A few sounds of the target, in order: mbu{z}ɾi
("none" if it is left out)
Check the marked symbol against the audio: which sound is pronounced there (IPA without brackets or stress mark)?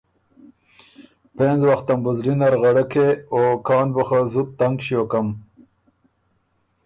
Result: z